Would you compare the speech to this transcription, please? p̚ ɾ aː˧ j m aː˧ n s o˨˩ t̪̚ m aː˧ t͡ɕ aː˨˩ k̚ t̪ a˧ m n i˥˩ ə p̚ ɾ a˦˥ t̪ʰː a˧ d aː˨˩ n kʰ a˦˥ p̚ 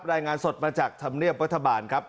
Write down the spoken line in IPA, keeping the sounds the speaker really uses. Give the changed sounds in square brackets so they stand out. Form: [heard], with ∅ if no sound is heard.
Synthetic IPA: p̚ ɾ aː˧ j [ŋ] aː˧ n s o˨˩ t̪̚ m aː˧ t͡ɕ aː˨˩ k̚ [t̪ʰ] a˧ m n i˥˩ ə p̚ ɾ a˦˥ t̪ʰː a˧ [b] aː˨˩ n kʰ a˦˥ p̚